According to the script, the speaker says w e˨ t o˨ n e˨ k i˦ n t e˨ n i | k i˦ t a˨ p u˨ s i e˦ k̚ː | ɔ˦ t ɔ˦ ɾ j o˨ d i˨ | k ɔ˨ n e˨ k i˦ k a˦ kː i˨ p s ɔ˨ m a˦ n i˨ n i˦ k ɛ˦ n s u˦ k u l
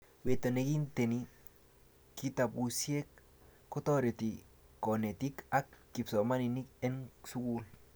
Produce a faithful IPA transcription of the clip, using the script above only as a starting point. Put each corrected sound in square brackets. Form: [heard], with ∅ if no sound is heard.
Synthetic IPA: w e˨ t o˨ n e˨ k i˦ n t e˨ n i | k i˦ t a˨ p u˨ s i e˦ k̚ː | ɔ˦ t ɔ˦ ɾ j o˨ [t] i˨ | k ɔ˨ n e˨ [t] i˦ k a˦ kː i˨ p s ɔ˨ m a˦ n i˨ n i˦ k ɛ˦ n s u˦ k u l